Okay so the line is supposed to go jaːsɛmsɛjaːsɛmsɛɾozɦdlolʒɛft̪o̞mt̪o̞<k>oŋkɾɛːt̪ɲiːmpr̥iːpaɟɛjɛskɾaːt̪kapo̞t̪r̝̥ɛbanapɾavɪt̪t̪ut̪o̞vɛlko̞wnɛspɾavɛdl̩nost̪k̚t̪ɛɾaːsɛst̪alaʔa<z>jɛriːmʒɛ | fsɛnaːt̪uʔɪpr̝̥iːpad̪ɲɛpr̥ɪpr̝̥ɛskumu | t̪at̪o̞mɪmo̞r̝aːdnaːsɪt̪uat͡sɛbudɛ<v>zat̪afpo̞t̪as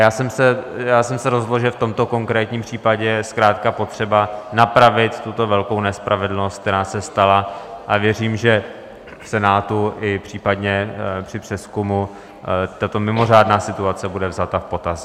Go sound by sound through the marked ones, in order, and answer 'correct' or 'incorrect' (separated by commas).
correct, incorrect, correct